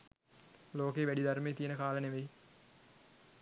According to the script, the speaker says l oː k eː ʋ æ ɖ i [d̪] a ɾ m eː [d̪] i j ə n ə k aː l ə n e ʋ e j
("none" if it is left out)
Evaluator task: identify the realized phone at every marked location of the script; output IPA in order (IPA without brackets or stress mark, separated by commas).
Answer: d̪, t̪